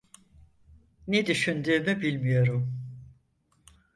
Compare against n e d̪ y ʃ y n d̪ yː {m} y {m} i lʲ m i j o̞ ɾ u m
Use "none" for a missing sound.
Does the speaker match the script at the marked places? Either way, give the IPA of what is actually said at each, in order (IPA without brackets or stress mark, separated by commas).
m, b